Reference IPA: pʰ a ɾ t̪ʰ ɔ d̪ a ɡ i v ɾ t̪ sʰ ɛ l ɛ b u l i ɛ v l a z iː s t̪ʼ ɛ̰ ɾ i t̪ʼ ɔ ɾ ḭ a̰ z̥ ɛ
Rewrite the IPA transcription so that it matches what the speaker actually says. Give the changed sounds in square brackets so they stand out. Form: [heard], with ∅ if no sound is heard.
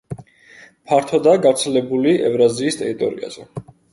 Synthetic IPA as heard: pʰ a ɾ t̪ʰ ɔ d̪ a ɡ [a] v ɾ t̪ sʰ ɛ l ɛ b u l i ɛ v [ɾ] a z iː s t̪ʼ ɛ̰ ɾ i t̪ʼ ɔ ɾ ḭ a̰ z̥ ɛ